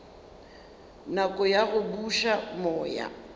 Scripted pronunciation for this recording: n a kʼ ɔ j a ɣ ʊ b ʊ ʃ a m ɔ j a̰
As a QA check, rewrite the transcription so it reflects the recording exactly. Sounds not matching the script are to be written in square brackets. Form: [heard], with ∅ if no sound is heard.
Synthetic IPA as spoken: n a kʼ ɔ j a ɣ ʊ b [u] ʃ a m [ɔː] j a̰

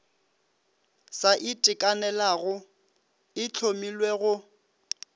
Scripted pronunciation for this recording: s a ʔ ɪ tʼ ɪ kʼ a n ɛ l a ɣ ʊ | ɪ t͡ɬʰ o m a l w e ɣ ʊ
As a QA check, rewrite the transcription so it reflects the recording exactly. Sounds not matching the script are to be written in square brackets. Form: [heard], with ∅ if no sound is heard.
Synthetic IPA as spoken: s a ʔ ɪ tʼ ɪ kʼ a n ɛ l a ɣ ʊ | ɪ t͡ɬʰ o m [i] l w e ɣ ʊ

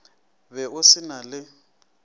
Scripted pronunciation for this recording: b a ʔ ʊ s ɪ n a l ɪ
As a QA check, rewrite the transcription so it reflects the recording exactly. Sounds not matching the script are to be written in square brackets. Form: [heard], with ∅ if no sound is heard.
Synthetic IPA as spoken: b [ɛ] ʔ ʊ s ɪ n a l ɪ

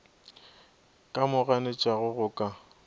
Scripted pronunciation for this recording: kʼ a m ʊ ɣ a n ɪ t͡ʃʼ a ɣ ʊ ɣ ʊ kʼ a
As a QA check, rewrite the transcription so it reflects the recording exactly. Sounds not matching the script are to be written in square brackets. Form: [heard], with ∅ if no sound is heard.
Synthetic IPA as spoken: kʼ a m ʊ ɣ a n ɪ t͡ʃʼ a ɣ ʊ ɣ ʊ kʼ a

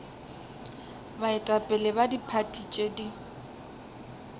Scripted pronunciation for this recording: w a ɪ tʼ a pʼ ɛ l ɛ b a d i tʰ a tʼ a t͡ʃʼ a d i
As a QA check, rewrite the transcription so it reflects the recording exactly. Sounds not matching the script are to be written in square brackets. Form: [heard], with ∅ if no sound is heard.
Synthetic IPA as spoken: [b] a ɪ tʼ a pʼ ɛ l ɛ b a d i [pʰ] a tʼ [i] t͡ʃʼ [e] d i

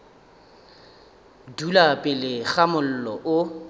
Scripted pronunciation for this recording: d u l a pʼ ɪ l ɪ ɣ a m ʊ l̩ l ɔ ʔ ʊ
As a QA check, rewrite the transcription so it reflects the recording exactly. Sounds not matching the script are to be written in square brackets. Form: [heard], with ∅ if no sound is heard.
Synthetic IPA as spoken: d u l a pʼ ɪ l ɪ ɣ a m ʊ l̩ l ɔ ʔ ʊ

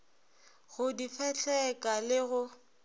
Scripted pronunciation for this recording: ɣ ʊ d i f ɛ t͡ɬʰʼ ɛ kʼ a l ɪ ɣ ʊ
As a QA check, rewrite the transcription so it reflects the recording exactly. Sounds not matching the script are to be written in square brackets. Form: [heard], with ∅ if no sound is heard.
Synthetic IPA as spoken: ɣ ʊ d i f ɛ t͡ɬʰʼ ɛ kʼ a l ɪ ɣ ʊ

